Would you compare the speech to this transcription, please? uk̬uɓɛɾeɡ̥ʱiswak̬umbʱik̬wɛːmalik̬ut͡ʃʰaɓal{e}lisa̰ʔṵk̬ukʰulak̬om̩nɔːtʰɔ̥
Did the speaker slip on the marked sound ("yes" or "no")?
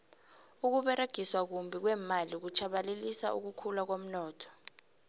no